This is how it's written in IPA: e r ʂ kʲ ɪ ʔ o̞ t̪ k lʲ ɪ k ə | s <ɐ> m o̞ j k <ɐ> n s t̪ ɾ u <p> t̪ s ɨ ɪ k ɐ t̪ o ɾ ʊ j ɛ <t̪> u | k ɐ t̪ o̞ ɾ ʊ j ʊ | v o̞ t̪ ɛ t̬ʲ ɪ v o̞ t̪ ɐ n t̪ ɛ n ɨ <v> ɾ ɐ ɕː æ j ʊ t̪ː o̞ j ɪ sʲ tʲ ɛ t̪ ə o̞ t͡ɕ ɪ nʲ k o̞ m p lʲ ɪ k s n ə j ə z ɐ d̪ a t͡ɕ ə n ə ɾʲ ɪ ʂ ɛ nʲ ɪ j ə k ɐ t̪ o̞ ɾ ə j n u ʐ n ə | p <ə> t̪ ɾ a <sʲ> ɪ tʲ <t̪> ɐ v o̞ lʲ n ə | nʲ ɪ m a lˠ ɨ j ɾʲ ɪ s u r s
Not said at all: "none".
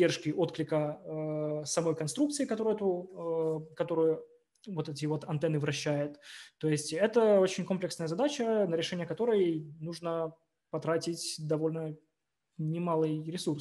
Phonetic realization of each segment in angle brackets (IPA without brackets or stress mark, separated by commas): ɐ, ɐ, k, t̪, v, ɐ, tʲ, d̪